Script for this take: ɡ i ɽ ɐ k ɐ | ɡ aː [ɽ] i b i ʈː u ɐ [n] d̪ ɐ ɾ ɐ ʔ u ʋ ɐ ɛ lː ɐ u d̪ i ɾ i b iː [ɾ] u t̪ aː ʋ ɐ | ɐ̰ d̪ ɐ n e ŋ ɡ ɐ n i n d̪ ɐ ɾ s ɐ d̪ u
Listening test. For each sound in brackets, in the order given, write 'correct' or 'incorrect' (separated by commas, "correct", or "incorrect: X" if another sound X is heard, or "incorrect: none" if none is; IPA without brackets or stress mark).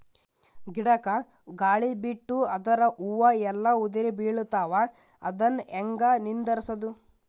incorrect: ɭ, incorrect: none, incorrect: ɭ